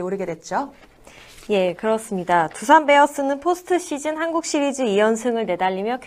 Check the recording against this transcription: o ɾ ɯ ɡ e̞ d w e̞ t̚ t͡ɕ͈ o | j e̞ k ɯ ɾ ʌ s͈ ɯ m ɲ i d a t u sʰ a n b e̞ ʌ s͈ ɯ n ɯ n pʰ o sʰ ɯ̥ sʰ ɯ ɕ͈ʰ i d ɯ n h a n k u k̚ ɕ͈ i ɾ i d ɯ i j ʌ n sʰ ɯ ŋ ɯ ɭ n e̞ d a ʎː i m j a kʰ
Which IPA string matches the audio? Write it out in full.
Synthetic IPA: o ɾ ɯ ɡ e̞ d w e̞ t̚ t͡ɕ͈ o | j e̞ k ɯ ɾ ʌ s͈ ɯ m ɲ i d a t u sʰ a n b e̞ ʌ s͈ ɯ n ɯ n pʰ o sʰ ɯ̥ tʰ ɯ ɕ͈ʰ i d͡ʑ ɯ n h a n ɡ u k̚ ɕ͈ i ɾ i d͡ʑ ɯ i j ʌ n sʰ ɯ ŋ ɯ ɭ n e̞ d a ʎː i m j ʌ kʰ